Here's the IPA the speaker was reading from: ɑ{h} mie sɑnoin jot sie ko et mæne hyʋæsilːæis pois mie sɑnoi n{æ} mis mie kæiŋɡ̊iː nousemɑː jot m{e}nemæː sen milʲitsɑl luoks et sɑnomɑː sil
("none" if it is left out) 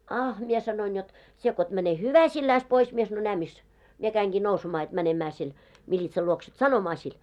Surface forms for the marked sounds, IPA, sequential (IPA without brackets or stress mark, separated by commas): h, æː, æ